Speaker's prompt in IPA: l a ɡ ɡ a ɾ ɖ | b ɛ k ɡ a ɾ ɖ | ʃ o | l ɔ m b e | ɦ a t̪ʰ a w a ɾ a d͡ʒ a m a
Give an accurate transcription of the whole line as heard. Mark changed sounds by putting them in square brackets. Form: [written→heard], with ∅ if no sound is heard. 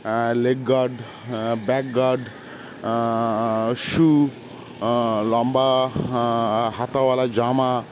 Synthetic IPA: l [a→e] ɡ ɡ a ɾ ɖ | b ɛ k ɡ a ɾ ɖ | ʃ [o→u] | l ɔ m b [e→a] | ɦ a [t̪ʰ→t̪] a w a [ɾ→l] a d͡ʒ a m a

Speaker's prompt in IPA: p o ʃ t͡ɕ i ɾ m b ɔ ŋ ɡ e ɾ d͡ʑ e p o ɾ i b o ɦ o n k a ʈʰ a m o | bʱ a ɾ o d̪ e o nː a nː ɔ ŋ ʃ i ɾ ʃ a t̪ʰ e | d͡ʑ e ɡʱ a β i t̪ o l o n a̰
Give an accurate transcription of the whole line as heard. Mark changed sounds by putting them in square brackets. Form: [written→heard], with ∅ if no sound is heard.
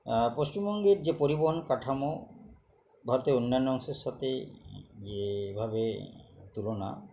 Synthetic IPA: p o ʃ t͡ɕ i [ɾ→∅] m b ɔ ŋ ɡ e ɾ d͡ʑ e p o ɾ i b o ɦ o n k a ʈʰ a m o | bʱ a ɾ o [d̪→t̪] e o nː a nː ɔ ŋ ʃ [i→e] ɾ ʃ a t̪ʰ e | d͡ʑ e [ɡʱ→bʱ] a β [i→e] t̪ [o→u] l o n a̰

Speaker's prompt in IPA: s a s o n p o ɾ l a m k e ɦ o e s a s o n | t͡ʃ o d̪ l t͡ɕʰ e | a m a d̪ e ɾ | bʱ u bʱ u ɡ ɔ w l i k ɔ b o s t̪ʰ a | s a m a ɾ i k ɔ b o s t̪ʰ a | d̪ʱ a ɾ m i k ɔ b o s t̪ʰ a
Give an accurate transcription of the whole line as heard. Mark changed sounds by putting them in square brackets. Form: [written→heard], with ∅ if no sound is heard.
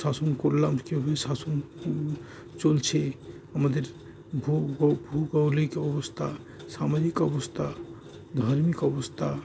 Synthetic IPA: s a s o n [p→k] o ɾ l a m k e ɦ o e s a s o n | t͡ʃ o [d̪→∅] l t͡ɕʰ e | a m a d̪ e ɾ | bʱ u bʱ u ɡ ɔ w l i k ɔ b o s t̪ʰ a | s a m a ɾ i k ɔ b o s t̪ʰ a | d̪ʱ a ɾ m i k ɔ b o s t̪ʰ a

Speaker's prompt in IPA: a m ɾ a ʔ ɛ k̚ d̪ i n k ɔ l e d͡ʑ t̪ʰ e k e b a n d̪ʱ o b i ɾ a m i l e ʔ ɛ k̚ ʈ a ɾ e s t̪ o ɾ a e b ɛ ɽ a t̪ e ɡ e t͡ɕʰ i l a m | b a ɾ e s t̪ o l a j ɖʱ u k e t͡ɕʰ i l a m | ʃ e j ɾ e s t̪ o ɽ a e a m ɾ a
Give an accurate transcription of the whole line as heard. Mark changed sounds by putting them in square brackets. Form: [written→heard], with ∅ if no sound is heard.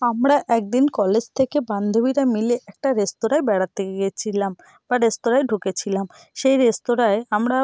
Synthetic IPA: a m ɾ a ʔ ɛ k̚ d̪ i n k ɔ l e d͡ʑ t̪ʰ e k e b a n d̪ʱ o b i ɾ a m i l e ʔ ɛ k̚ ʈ a ɾ e s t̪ o ɾ a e b ɛ ɽ a t̪ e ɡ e t͡ɕʰ i l a m | b a ɾ e s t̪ o [l→ɾ] a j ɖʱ u k e t͡ɕʰ i l a m | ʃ e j ɾ e s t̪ o [ɽ→ɾ] a e a m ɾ a

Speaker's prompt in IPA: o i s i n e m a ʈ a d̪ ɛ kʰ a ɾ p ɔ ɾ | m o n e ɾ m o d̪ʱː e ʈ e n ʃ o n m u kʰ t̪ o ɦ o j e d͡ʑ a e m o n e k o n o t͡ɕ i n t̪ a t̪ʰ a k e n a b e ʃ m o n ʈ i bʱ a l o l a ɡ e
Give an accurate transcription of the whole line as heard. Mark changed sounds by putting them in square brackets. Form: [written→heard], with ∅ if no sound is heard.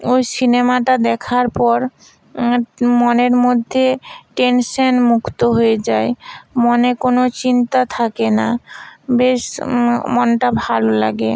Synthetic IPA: o [i→j] s i n e m a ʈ a d̪ ɛ kʰ a ɾ p ɔ ɾ | m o n e ɾ m o d̪ʱː e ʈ e n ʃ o n m u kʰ t̪ o ɦ o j e d͡ʑ a e m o n e k o n o t͡ɕ i n t̪ a t̪ʰ a k e n a b e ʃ m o n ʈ [i→a] bʱ a l o l a ɡ e

